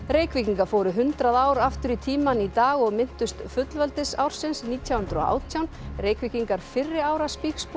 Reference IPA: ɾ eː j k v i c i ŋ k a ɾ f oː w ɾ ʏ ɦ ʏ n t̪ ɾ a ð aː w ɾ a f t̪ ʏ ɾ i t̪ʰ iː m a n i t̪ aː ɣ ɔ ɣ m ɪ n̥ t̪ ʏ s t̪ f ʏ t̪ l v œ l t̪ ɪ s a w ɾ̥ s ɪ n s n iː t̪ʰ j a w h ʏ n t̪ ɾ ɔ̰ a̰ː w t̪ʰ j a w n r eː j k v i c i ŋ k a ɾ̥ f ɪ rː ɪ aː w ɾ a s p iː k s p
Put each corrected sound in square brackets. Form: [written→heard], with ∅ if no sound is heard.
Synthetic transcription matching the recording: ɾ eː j k v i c i ŋ k a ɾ f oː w ɾ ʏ ɦ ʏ n t̪ ɾ a ð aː w ɾ a f t̪ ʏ ɾ i t̪ʰ iː m a n i t̪ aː ɣ ɔ ɣ m ɪ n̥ t̪ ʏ s t̪ f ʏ t̪ l v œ l t̪ ɪ s a w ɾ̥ s ɪ n s n iː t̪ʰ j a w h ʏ n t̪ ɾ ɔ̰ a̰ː w t̪ʰ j a w n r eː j k v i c i ŋ k a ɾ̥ f ɪ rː ɪ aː w ɾ a s p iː k s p